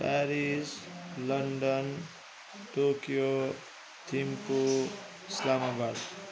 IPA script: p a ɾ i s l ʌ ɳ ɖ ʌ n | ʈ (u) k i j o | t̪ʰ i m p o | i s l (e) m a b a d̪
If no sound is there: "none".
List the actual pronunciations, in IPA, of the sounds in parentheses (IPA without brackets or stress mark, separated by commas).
o, a